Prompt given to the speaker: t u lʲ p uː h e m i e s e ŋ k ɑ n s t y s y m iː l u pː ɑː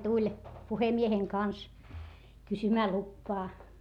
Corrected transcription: t u lʲ p u h e m i e h e ŋ k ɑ n s k y s y m æː l u pː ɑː